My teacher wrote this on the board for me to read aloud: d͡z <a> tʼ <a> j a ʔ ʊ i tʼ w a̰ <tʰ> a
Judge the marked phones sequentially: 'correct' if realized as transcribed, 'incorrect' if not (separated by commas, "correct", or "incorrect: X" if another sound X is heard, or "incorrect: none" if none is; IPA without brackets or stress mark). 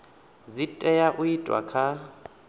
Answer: incorrect: i, incorrect: ɛ, incorrect: kʰ